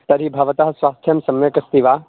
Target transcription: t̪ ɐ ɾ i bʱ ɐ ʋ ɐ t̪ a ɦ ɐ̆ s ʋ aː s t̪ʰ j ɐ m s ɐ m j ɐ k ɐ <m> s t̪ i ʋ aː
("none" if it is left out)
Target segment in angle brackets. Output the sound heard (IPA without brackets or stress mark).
none